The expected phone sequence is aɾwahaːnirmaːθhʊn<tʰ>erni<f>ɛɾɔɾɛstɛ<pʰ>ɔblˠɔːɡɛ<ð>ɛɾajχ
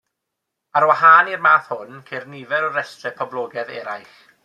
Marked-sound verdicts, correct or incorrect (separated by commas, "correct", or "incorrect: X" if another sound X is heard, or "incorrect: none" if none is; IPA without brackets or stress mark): incorrect: kʰ, incorrect: v, correct, correct